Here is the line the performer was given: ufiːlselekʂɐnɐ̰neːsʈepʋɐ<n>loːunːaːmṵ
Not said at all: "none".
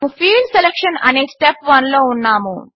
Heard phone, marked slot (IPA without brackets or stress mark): n